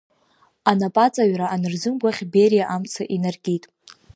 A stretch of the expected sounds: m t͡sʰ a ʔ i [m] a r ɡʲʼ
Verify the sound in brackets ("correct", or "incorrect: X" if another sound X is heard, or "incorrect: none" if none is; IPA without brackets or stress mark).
incorrect: n